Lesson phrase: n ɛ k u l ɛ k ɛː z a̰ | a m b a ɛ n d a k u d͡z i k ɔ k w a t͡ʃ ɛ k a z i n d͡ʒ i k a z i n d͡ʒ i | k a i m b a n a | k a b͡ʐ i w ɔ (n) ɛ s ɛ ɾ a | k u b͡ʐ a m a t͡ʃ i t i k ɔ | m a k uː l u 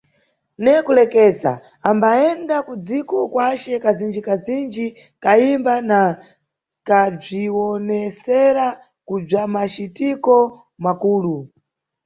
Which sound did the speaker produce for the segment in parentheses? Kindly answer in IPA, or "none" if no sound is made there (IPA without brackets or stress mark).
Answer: n